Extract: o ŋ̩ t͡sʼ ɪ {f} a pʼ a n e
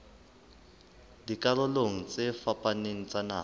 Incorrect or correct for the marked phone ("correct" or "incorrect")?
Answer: correct